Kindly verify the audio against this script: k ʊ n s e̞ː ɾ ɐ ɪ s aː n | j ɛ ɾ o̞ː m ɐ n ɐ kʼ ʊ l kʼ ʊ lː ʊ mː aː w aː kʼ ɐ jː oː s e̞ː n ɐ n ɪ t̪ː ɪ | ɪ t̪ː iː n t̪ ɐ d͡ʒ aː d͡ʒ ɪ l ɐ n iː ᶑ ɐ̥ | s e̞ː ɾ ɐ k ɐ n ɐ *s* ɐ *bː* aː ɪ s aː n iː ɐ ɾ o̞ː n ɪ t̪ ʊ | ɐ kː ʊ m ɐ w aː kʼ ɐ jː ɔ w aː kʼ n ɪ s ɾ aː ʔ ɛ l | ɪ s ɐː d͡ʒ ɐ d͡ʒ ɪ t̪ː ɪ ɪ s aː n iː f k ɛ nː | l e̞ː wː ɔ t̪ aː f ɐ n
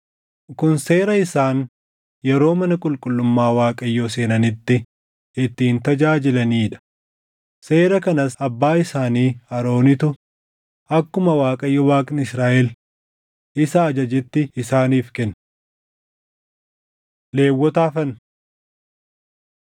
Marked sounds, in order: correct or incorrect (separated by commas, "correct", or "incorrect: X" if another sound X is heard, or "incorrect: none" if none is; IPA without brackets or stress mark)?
correct, correct